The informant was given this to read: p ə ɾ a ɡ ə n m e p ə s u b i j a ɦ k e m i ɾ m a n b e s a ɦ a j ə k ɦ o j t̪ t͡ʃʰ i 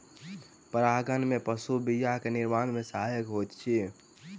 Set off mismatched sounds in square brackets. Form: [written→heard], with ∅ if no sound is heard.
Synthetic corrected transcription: p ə ɾ a ɡ ə n m e p ə s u b i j a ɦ k e [m→n] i ɾ m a n [b→m] e s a ɦ a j ə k ɦ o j t̪ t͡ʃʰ i